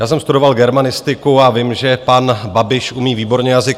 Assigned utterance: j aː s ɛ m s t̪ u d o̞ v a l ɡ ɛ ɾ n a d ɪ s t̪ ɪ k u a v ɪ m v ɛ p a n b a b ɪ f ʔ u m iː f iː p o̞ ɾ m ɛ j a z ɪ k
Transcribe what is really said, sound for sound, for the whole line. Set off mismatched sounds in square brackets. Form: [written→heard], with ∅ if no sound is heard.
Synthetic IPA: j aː s ɛ m s t̪ u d o̞ v a l ɡ ɛ ɾ [n→m] a [d→n] ɪ s t̪ ɪ k u a v ɪ m [v→ʒ] ɛ p a n b a b ɪ [f→ʃ] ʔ u m iː [f→v] iː [p→b] o̞ ɾ [m→ɲ] ɛ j a z ɪ k